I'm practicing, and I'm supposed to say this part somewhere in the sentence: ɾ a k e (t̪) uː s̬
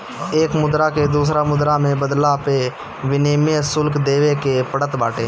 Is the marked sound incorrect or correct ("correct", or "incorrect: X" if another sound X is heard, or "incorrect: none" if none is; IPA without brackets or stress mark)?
incorrect: d̪